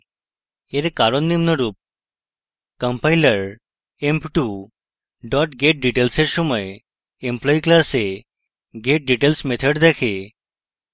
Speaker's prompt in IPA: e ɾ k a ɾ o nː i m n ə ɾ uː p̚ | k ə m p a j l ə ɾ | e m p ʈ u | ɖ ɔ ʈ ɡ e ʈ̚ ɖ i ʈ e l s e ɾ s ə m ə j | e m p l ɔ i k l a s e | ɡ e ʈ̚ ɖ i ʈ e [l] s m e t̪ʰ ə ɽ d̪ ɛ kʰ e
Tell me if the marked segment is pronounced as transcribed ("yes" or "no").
yes